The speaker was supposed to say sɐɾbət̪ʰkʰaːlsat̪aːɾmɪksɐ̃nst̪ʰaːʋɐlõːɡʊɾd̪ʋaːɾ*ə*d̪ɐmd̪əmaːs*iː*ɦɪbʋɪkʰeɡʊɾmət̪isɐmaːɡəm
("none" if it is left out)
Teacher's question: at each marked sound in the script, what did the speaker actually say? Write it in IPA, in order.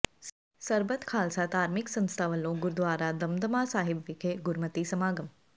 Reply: a, aː

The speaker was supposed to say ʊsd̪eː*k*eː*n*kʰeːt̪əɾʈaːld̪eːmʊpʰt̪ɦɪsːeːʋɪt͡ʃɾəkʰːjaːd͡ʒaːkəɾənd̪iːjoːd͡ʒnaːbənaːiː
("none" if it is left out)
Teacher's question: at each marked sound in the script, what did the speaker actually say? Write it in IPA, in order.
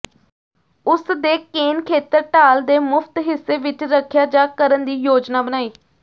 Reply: k, n

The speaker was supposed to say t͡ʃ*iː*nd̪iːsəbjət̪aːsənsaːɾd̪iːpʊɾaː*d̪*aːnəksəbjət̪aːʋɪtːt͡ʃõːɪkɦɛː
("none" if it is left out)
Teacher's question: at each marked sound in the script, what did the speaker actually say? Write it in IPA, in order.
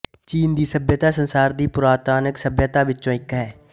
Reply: iː, t̪

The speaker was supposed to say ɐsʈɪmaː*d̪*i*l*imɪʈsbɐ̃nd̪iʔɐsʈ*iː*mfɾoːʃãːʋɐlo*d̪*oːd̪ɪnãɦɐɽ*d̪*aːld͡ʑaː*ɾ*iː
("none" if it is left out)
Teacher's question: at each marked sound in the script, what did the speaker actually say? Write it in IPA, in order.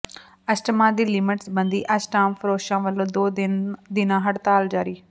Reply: d̪, l, aː, d̪, t̪, ɾ

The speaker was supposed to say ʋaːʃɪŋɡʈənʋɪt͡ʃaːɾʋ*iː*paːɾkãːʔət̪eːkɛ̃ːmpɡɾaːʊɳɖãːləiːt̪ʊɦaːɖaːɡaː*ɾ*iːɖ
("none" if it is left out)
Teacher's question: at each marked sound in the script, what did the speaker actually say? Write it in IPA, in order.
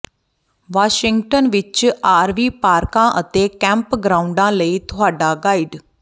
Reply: iː, none

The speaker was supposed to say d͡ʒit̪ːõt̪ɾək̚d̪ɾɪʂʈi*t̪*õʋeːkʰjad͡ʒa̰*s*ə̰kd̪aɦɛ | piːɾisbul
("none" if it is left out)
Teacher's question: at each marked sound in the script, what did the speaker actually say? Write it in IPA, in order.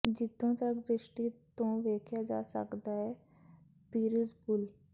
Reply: t̪, s

